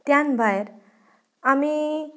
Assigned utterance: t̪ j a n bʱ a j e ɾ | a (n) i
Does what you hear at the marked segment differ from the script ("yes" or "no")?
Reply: yes